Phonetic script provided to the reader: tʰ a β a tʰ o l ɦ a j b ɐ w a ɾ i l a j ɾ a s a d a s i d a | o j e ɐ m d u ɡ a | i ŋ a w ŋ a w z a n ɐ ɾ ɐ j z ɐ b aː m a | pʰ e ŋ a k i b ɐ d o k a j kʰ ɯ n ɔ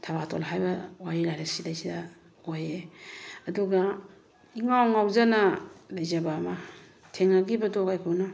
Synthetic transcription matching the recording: tʰ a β a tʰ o l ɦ a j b ɐ w a ɾ i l a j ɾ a s i d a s i d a | o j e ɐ d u ɡ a | i ŋ a w ŋ a w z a n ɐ l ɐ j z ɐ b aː m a | tʰ e ŋ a ɡ i b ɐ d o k a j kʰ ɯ n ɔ